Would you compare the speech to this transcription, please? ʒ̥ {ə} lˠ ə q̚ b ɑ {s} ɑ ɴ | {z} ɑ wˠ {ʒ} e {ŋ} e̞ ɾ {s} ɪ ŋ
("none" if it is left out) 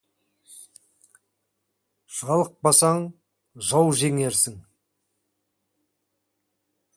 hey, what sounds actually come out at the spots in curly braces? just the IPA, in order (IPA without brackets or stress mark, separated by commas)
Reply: ɑ, s, ʒ, ʒ, ŋ, s